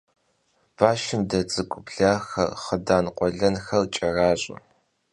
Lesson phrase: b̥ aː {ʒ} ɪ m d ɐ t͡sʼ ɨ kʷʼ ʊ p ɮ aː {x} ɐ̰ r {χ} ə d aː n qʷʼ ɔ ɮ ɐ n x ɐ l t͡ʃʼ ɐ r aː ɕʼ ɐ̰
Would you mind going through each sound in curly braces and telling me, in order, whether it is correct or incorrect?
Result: incorrect: ʃ, correct, correct

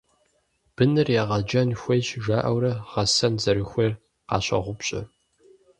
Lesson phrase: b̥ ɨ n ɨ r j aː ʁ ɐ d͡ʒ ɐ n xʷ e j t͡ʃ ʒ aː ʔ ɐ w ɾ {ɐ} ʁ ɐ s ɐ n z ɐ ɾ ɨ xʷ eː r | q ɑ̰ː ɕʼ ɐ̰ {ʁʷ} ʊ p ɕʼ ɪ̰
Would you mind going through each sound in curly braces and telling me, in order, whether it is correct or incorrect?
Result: correct, correct

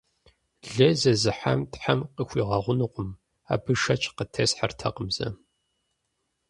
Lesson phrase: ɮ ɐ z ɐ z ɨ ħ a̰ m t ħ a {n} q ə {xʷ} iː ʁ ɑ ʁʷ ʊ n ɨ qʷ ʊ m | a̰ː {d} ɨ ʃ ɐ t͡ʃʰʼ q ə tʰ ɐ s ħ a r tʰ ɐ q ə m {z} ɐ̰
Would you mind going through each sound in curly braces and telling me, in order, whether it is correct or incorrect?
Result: incorrect: m, correct, incorrect: b, correct

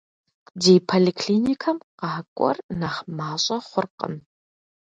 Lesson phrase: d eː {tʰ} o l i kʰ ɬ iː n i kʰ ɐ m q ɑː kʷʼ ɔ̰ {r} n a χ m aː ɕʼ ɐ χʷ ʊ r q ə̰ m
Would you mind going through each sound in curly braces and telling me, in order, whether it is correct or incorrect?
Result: incorrect: pʰ, correct

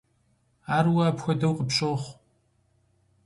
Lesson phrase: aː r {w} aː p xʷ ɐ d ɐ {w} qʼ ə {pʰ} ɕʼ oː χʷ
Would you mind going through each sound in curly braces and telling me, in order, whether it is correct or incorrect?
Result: correct, correct, incorrect: p

